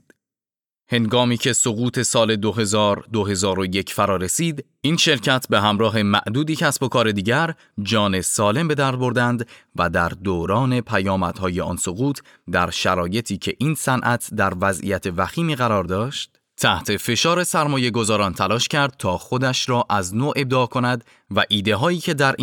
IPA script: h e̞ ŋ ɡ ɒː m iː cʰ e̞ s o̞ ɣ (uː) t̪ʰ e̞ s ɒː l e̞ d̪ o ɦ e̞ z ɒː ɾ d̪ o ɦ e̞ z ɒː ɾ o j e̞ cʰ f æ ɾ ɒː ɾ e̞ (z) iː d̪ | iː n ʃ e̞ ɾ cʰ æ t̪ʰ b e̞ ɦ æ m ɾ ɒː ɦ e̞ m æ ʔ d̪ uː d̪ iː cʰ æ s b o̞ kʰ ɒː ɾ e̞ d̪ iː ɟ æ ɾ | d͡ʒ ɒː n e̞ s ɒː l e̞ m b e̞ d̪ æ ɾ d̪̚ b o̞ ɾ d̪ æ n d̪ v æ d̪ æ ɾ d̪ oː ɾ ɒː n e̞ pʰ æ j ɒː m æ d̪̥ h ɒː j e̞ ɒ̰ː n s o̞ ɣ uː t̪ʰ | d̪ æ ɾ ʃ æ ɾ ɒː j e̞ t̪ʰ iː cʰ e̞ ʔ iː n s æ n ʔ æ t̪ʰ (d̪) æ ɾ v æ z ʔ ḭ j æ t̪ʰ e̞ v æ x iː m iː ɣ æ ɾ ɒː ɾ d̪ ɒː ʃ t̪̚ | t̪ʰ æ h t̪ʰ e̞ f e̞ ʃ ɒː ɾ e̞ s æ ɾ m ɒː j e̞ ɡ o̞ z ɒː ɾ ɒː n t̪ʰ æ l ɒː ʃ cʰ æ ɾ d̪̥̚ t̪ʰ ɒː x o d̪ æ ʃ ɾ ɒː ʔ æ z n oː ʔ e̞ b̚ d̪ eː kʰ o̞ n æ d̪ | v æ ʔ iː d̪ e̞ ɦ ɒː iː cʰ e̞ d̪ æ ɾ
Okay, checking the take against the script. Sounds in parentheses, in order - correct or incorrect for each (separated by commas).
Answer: correct, incorrect, correct